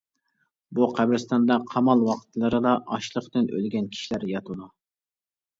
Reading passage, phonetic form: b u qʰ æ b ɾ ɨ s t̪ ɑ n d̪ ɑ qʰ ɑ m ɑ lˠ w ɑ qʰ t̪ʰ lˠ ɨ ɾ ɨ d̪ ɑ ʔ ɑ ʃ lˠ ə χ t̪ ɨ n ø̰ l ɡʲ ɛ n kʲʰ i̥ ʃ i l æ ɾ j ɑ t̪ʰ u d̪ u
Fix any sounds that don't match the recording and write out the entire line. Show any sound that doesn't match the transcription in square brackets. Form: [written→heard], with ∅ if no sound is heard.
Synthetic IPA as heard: b u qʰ æ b ɾ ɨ s t̪ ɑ n d̪ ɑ qʰ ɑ m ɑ lˠ w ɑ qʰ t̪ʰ lˠ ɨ ɾ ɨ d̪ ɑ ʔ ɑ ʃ lˠ ə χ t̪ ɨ n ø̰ l ɡʲ ɛ n kʲʰ i̥ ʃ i l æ ɾ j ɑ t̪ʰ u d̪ u